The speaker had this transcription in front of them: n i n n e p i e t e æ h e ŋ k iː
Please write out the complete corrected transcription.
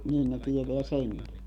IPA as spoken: n iː n n e t i e t e æ s e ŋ k i